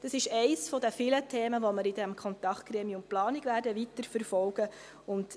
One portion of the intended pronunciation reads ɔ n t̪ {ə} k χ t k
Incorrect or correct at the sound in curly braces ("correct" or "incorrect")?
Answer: incorrect